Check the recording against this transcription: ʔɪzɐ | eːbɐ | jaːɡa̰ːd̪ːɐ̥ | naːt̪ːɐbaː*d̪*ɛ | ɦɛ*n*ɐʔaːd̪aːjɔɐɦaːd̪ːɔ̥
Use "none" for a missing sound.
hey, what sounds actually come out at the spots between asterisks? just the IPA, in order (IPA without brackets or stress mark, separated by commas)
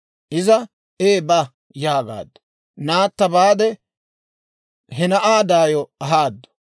d̪, n